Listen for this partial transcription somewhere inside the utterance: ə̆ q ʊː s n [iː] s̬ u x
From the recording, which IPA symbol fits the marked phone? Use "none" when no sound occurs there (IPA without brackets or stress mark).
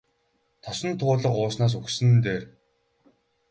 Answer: aː